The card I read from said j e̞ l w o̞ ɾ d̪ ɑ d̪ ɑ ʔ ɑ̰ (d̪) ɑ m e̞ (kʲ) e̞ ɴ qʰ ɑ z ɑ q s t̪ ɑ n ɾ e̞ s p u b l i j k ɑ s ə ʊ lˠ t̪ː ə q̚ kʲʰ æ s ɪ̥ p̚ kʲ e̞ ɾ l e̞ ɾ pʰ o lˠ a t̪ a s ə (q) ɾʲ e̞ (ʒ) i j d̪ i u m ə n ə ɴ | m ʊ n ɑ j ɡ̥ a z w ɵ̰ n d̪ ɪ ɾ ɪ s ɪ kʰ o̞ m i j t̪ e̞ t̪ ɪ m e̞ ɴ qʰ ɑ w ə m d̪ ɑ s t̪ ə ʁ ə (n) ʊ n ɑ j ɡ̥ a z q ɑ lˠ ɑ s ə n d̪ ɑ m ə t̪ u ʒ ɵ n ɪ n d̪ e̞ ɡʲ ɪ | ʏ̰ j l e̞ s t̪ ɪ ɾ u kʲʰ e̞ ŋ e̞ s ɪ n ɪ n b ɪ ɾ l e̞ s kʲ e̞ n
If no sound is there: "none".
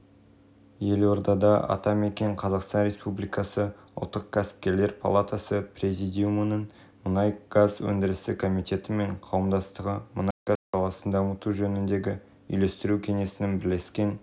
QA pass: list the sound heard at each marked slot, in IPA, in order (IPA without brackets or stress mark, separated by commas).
t̪, kʲ, p, z, m